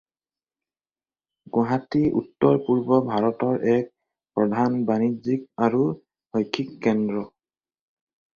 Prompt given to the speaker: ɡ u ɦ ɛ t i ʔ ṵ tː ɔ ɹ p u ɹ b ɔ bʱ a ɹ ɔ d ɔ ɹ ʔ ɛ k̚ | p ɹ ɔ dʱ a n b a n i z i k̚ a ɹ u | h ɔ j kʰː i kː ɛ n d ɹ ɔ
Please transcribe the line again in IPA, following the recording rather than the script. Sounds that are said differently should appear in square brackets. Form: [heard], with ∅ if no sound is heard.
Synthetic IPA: ɡ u ɦ [a] t i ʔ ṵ tː ɔ ɹ p u ɹ b ɔ bʱ a ɹ ɔ [t] ɔ ɹ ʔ ɛ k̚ | p ɹ ɔ dʱ a n b a n i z i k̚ a ɹ u | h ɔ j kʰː i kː ɛ n d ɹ ɔ